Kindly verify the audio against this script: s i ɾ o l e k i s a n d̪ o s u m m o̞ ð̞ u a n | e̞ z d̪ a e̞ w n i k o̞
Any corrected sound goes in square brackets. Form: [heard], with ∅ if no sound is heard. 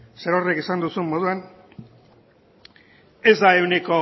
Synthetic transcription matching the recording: s [e] ɾ o [r] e k i s a n d̪ [u] s u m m o̞ ð̞ u a n | e̞ z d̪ a e̞ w n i k o̞